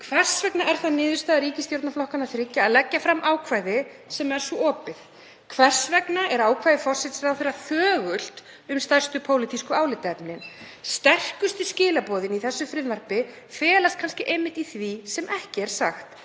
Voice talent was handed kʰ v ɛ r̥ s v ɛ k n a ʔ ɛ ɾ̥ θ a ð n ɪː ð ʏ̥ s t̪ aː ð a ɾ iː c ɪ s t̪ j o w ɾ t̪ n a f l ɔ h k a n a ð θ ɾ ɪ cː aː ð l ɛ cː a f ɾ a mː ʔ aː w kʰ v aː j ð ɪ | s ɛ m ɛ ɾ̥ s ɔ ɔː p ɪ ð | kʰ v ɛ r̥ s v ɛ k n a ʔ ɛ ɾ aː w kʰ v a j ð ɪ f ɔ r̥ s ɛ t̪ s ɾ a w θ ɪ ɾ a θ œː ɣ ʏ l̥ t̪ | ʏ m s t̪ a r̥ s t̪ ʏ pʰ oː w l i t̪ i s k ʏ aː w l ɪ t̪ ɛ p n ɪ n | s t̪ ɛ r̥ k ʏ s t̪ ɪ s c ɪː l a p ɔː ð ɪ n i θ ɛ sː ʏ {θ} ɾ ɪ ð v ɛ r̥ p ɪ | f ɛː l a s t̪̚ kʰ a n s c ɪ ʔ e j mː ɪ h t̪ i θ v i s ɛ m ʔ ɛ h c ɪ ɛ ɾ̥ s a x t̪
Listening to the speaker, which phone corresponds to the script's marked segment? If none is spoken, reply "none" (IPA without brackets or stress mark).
f